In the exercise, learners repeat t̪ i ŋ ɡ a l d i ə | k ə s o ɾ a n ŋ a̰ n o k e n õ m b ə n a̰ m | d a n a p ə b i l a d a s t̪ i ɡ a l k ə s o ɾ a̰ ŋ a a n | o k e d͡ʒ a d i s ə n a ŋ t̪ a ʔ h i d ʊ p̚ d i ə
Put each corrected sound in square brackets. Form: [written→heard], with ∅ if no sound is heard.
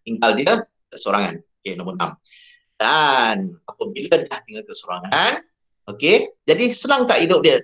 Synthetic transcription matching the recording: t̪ i ŋ ɡ a l d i ə | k ə s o ɾ a [n→∅] ŋ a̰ n o k e n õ m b ə n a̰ m | d a n a p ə b i l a d a [s→h] t̪ i [ɡ→ŋ] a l k ə s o ɾ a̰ ŋ a a n | o k e d͡ʒ a d i s ə n a ŋ t̪ a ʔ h i d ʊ p̚ d i ə